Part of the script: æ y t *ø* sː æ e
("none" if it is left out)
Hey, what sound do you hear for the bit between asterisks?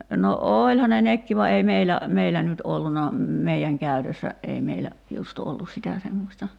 ø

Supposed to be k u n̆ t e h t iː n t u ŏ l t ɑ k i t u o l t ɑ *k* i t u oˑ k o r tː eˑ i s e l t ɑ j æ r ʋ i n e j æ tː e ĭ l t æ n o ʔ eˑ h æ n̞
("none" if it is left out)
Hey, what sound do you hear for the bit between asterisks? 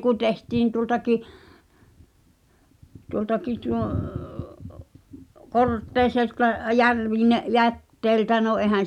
k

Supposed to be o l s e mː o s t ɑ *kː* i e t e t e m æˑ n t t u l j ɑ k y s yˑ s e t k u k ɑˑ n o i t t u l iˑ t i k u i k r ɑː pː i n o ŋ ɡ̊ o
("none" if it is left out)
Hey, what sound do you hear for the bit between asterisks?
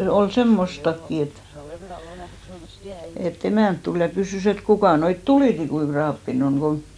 kː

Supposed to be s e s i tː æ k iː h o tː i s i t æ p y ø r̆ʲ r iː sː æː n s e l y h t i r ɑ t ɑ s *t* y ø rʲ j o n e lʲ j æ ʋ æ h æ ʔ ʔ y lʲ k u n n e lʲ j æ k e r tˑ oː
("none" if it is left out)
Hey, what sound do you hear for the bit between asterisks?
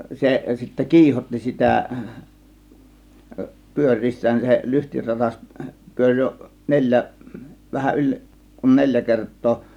p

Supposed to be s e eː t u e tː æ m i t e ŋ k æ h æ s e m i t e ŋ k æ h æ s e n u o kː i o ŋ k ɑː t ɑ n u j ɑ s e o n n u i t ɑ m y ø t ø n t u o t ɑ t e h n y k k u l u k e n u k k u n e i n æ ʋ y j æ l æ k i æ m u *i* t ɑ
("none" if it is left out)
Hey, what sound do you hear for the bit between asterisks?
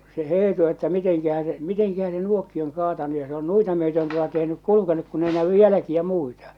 i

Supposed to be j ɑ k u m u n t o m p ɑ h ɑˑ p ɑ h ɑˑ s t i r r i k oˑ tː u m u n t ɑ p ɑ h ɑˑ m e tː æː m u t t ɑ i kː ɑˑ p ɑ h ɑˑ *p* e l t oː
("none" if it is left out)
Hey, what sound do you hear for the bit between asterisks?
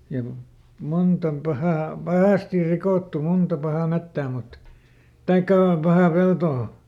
p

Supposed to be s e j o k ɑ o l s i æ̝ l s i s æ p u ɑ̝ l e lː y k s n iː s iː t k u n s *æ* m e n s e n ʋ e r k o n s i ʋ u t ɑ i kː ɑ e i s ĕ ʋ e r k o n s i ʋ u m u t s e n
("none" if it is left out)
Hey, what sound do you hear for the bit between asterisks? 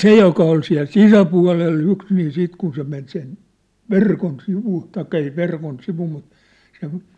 e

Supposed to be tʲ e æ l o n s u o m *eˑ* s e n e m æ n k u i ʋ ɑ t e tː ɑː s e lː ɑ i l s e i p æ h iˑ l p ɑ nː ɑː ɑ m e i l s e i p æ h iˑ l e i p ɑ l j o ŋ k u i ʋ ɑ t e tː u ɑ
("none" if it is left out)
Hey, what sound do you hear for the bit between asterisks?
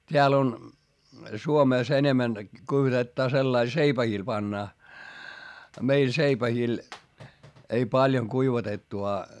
eˑ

